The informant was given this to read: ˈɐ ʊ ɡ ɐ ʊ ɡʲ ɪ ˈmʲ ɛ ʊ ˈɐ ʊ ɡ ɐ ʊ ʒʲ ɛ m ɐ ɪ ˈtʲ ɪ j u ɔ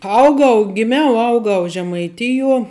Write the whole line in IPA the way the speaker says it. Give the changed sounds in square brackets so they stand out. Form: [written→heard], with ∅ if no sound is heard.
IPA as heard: ˈɐ ʊ ɡ ɐ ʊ ɡʲ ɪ ˈmʲ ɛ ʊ ˈɐ ʊ ɡ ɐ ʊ ʒʲ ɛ m ɐ ɪ ˈtʲ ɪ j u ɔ